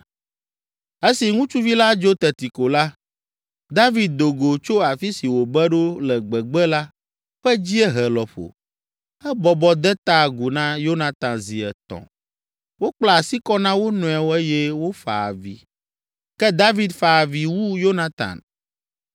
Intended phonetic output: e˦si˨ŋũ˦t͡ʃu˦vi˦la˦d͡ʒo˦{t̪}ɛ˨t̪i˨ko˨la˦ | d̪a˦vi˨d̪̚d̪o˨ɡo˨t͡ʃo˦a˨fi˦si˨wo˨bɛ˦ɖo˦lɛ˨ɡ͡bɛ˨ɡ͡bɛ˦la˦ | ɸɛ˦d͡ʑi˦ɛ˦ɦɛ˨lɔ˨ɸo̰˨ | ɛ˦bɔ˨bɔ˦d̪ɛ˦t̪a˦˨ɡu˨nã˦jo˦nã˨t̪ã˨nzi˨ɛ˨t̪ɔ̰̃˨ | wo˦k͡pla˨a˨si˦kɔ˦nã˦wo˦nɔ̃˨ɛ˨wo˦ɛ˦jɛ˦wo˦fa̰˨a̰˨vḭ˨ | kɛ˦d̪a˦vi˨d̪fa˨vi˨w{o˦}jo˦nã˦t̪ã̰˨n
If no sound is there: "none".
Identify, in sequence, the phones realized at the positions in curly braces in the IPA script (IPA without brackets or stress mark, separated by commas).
t̪, u˦